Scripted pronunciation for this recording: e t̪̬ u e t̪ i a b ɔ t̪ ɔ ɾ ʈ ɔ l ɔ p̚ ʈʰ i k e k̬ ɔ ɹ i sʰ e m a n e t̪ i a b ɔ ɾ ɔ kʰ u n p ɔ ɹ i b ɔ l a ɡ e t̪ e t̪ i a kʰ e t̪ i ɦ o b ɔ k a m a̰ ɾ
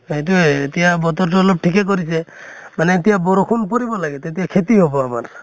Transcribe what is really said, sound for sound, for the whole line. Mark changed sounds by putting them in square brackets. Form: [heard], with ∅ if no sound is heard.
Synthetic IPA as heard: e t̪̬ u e t̪ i a b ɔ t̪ ɔ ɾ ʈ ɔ l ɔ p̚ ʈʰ i k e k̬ ɔ [ɾ] i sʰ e m a n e t̪ i a b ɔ ɾ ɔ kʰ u n p ɔ [ɾ] i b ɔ l a ɡ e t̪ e t̪ i a kʰ e t̪ i ɦ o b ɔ [∅] a m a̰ ɾ